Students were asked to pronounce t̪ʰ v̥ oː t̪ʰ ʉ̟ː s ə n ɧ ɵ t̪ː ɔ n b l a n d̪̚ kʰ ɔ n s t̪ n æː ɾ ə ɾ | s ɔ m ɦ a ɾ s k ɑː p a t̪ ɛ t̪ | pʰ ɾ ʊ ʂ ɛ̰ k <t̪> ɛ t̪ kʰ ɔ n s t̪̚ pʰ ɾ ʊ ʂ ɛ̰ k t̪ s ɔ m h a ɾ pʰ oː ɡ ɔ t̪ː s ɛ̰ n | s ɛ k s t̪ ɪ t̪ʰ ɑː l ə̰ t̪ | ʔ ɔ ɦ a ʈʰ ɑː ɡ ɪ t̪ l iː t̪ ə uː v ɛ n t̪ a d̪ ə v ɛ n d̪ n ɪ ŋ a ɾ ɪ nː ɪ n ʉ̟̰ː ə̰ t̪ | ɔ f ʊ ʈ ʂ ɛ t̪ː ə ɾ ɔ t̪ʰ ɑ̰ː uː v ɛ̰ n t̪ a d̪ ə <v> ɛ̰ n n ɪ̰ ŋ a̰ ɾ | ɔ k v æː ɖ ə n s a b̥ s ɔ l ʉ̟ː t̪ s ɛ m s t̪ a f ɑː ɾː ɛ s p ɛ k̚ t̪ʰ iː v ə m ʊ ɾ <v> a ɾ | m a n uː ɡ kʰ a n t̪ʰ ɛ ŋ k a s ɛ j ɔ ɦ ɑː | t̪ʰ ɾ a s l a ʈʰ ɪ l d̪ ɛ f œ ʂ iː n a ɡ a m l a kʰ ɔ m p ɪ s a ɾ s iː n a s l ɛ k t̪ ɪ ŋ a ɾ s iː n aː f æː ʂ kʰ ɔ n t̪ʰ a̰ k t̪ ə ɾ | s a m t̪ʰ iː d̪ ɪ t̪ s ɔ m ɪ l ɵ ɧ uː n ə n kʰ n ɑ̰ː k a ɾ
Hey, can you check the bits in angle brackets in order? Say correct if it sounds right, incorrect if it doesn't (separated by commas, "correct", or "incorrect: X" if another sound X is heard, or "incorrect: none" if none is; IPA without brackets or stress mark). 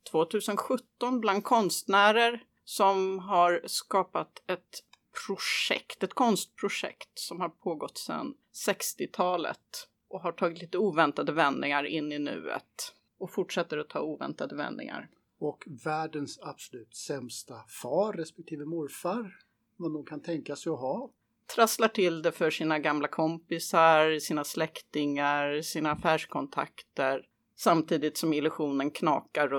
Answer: correct, correct, incorrect: f